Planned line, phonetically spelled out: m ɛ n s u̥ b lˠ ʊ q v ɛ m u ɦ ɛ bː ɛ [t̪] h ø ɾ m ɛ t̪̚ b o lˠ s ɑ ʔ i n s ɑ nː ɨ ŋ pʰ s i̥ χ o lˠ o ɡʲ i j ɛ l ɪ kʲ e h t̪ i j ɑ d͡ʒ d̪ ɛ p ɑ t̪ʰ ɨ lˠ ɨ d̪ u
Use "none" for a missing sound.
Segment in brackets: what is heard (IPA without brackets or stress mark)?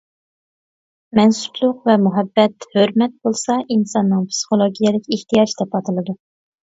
t̪